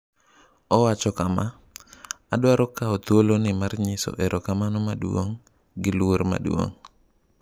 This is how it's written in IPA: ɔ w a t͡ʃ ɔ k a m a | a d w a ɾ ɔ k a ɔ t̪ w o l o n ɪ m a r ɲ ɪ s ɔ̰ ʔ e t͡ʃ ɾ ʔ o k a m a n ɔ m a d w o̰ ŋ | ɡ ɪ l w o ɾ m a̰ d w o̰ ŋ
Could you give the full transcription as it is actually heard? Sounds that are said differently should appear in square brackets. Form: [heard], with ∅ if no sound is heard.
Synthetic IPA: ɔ w a t͡ʃ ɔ k a m a | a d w a ɾ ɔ k a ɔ t̪ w o l o n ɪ m a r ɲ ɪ s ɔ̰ ʔ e [∅] ɾ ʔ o k a m a n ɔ m a d w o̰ ŋ | ɡ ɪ l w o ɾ m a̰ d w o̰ ŋ